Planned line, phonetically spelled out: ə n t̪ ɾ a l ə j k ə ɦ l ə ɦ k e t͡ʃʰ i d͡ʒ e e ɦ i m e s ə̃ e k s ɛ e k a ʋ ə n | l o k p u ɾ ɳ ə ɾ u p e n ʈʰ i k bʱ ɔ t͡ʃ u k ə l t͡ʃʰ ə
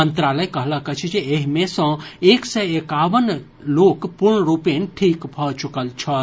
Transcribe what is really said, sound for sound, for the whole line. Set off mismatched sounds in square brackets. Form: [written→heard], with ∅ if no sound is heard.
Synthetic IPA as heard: ə n t̪ ɾ a l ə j k ə ɦ l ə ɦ k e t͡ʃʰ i d͡ʒ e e ɦ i m e s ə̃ e k s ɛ e k a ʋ ə n | l o k p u ɾ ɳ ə ɾ u p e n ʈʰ i k bʱ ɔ t͡ʃ u k ə l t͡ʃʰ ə